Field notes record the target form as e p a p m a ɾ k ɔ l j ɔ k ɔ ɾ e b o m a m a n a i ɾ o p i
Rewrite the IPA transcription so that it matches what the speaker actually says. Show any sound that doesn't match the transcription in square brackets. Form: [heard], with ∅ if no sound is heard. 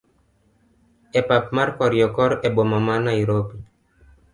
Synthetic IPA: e p a p m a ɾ k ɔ [ɾ] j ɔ k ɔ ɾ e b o m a m a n a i ɾ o p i